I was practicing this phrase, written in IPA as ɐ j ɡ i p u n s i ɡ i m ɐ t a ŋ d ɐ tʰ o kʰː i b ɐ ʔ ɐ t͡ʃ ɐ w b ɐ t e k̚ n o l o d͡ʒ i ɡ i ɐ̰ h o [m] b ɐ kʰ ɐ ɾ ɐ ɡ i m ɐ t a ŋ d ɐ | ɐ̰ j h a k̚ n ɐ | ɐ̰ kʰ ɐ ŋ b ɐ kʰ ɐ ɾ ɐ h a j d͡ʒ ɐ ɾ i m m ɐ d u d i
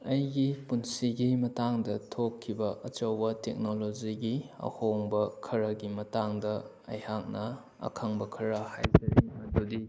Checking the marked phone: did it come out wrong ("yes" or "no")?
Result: yes